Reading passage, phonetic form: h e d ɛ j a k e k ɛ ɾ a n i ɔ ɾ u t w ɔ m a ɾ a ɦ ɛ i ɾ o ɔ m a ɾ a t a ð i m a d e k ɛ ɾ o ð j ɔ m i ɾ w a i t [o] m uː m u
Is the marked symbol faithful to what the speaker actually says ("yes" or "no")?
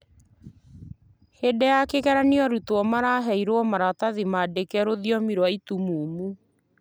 no